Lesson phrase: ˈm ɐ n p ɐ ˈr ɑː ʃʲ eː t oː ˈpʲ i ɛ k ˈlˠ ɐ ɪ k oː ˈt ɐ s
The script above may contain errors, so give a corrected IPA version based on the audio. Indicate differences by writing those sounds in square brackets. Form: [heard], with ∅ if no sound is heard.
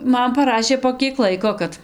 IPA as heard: ˈm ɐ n p ɐ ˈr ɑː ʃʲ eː [p] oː [ˈkʲ] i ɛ k ˈlˠ ɐ ɪ k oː [ˈk] ɐ [t]